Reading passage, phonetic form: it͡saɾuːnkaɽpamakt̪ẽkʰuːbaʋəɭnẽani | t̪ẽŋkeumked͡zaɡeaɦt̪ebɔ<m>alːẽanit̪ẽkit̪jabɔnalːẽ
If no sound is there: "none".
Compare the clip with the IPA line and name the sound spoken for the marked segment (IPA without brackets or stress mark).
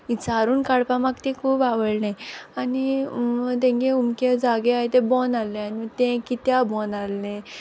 n